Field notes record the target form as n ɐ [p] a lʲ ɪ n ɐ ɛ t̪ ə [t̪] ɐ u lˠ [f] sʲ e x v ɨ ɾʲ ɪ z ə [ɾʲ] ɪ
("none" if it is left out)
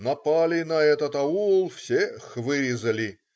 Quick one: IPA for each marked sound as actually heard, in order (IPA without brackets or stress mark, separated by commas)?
p, t̪, f, lʲ